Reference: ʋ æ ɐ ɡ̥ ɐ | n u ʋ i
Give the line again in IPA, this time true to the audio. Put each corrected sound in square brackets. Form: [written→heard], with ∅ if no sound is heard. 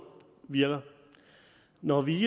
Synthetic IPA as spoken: ʋ [æ→i] ɐ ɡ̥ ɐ | n [u→ɒ] ʋ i